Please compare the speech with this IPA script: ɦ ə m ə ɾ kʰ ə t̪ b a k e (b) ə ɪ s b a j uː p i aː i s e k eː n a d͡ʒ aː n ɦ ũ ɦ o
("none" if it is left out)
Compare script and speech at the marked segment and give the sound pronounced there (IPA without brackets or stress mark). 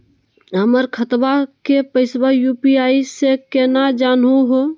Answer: p